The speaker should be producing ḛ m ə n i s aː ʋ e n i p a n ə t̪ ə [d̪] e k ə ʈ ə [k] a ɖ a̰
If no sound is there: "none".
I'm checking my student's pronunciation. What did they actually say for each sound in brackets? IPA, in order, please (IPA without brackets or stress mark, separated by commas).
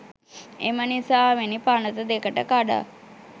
d̪, k